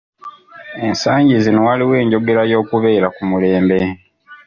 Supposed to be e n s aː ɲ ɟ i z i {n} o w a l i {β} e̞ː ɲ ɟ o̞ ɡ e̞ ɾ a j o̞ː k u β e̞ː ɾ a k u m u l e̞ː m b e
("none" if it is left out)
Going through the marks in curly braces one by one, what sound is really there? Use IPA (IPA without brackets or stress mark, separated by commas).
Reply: n, w